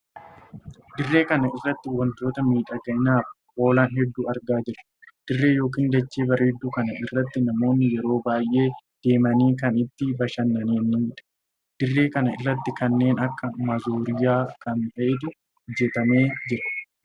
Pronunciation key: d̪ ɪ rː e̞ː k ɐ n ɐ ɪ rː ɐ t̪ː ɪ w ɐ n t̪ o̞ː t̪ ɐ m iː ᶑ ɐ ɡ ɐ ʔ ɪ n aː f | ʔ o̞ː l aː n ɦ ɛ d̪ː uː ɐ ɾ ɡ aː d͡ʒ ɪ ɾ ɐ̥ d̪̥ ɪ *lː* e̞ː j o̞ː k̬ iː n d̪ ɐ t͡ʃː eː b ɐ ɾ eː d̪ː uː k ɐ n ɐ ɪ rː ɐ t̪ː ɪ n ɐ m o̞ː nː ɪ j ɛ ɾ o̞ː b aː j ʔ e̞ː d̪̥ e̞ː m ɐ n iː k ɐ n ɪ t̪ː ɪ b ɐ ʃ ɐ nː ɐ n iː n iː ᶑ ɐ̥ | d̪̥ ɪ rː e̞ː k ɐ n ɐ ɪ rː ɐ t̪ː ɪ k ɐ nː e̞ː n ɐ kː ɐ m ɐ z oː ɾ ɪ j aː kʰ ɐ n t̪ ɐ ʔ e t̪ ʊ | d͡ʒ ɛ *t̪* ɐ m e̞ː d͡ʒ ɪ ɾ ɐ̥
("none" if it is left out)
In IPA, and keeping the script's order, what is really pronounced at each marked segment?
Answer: rː, t̪

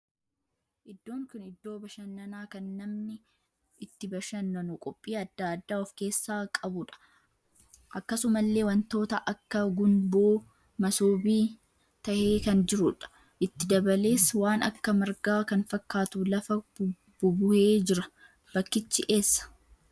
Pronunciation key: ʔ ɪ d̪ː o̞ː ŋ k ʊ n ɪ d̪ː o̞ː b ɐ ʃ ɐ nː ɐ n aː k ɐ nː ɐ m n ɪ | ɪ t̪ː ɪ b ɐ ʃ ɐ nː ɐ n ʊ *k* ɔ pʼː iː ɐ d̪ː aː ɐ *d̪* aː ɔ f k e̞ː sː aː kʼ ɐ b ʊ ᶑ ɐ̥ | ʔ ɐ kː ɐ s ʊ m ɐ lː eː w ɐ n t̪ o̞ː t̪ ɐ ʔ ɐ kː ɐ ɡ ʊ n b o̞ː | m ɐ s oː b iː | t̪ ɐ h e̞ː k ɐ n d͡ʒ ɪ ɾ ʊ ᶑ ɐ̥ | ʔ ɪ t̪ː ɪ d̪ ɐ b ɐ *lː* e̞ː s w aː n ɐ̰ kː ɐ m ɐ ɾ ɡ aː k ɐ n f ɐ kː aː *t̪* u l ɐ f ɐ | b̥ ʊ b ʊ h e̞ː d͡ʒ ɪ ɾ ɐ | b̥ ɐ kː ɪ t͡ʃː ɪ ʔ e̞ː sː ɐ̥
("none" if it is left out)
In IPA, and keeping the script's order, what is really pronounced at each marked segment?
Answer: kʼ, d̪ː, l, t̪

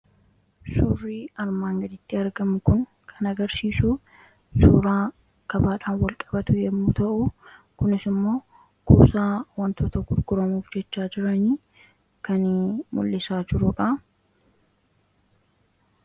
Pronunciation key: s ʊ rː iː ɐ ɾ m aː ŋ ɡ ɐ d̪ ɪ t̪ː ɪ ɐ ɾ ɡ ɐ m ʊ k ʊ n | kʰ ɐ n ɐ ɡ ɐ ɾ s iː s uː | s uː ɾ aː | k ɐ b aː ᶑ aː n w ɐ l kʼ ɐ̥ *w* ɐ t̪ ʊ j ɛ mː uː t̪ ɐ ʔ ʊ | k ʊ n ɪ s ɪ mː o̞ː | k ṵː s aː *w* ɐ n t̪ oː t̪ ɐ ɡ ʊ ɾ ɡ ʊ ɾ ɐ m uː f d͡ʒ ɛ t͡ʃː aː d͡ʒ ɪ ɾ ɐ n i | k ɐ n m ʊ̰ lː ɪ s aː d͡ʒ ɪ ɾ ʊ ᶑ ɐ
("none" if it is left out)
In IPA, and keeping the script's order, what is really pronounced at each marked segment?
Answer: b, w

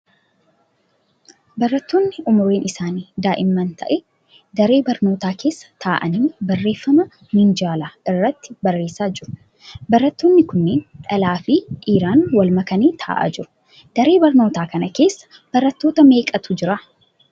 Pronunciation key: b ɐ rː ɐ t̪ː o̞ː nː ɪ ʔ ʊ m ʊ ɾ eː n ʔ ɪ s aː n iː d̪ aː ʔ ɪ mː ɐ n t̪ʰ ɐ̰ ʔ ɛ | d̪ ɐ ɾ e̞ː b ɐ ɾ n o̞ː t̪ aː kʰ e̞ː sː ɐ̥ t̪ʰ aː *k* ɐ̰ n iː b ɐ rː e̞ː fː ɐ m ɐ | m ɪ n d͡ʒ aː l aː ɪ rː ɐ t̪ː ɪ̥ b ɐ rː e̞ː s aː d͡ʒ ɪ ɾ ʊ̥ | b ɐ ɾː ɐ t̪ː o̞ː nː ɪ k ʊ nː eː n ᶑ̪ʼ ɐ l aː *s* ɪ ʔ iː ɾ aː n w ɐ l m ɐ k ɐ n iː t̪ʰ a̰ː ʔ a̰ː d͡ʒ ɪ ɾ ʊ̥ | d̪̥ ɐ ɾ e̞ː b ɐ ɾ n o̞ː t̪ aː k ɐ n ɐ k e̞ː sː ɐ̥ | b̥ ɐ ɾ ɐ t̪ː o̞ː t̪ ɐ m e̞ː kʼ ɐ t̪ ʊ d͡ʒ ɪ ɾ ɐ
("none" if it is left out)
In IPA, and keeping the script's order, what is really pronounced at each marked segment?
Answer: ʔ, f

